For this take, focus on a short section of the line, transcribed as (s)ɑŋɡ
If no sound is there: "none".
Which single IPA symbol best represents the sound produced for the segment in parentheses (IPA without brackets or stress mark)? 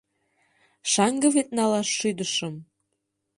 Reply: ʃ